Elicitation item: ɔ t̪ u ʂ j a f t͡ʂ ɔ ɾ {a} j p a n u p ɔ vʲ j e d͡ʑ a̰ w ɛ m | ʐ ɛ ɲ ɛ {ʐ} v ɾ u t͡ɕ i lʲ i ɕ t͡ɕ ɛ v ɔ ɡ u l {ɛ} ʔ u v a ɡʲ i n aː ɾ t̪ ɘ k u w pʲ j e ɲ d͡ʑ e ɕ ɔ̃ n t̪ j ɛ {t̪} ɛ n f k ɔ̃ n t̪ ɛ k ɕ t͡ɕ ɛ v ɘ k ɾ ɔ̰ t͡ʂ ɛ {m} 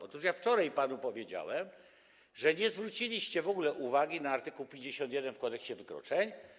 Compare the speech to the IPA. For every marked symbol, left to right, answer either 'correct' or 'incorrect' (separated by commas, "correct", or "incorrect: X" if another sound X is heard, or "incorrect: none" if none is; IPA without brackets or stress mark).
correct, incorrect: z, correct, incorrect: d̪, incorrect: ɲ